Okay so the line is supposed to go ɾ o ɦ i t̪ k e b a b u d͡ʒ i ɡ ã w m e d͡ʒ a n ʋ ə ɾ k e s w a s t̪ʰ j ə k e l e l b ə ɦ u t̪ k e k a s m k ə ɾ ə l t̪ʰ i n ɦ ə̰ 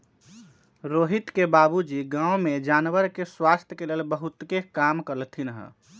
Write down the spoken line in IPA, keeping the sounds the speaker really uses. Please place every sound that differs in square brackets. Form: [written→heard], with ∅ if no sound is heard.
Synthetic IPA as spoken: ɾ o ɦ i t̪ k e b a b u d͡ʒ i ɡ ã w m e d͡ʒ a n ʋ ə ɾ k e s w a s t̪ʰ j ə k e l e l b ə ɦ u t̪ k e k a [s→∅] m k ə ɾ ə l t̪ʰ i n ɦ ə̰